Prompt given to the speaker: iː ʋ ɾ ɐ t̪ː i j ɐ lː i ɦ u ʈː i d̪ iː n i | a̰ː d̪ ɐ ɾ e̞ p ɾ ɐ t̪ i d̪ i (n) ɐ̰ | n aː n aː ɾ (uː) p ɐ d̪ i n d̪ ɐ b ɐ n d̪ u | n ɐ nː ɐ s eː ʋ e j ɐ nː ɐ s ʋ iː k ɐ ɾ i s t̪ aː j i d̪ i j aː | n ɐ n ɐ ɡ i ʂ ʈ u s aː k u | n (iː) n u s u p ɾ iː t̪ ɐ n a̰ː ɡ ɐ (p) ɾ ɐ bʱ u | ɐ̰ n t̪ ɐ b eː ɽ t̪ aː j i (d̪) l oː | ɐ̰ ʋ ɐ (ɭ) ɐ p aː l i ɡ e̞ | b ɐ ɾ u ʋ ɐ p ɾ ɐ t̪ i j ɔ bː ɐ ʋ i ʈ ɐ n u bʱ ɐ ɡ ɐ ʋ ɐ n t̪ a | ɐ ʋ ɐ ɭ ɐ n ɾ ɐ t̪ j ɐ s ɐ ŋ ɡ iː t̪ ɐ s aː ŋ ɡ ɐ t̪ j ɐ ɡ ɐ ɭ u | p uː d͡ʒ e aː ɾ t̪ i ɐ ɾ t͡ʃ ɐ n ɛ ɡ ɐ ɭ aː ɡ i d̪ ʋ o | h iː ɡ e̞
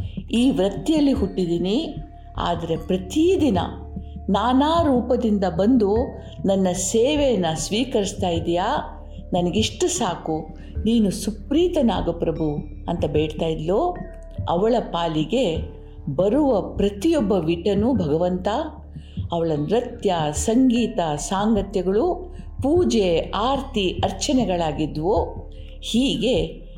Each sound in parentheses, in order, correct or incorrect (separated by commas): correct, correct, correct, correct, correct, correct